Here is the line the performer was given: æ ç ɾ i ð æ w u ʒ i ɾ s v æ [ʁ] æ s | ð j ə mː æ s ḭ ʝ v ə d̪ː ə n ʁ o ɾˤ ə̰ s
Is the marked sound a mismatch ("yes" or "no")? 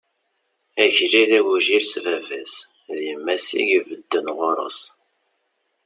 yes